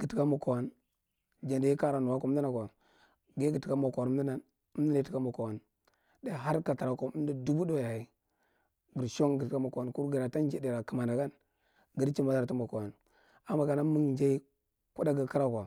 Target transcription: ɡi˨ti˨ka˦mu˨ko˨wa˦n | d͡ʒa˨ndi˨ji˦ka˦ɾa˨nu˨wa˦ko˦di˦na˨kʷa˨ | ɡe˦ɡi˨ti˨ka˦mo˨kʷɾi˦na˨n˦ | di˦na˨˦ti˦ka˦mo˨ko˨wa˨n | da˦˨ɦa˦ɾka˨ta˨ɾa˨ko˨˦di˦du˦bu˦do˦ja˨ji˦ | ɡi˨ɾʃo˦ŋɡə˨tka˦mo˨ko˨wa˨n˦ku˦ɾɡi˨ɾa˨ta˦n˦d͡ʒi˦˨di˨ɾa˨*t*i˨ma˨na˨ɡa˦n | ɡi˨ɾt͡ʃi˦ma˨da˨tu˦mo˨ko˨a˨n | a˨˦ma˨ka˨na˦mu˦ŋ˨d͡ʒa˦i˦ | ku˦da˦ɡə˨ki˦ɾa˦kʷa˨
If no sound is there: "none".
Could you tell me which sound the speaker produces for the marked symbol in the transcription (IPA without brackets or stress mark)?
k